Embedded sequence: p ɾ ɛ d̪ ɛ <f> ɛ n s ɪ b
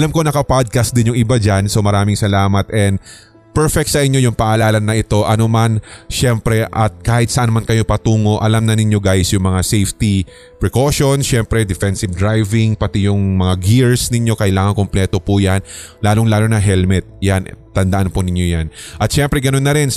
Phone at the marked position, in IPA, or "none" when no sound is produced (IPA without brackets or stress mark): f